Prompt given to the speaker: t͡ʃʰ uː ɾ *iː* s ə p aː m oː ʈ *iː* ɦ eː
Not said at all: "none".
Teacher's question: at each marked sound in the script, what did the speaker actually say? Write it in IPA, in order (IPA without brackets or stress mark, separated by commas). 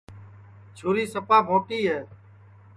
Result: iː, iː